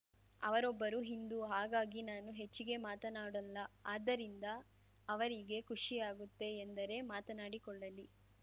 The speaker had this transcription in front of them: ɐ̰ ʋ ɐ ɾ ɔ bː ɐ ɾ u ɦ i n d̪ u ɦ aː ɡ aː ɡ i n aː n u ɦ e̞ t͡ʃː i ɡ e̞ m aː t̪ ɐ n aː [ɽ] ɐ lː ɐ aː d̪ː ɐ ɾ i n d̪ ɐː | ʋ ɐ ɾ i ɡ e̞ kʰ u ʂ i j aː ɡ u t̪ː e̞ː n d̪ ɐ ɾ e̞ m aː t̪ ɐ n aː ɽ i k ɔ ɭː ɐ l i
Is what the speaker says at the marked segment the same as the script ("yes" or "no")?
yes